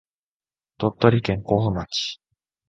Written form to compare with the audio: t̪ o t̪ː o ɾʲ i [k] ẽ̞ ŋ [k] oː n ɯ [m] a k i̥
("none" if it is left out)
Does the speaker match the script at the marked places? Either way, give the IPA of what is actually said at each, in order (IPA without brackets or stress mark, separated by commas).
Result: k, k, m